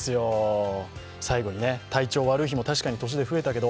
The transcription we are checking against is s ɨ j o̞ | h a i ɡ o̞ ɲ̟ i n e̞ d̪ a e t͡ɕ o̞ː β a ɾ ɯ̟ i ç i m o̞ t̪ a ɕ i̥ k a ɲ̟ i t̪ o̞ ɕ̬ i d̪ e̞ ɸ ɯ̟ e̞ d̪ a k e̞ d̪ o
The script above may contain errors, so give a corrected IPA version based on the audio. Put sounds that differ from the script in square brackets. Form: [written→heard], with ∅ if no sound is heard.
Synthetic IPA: s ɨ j o̞ | [h→s] a i ɡ o̞ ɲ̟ i n e̞ [d̪→t̪] a [e→i] t͡ɕ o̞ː β a ɾ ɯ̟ i ç i m o̞ t̪ a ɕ i̥ k a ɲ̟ i t̪ o̞ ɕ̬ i d̪ e̞ ɸ ɯ̟ e̞ [d̪→t̪] a k e̞ d̪ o